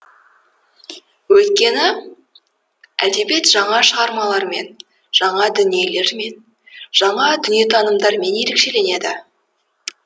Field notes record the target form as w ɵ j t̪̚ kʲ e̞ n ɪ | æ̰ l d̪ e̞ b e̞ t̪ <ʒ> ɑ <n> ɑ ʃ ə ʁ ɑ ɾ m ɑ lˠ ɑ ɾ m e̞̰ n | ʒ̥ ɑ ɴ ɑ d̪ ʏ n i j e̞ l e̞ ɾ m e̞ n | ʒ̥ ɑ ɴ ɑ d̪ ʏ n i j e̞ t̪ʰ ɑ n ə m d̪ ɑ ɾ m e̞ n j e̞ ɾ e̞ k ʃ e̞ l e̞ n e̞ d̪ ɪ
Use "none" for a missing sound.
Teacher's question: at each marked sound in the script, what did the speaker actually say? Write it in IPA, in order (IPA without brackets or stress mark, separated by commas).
ʒ, ɴ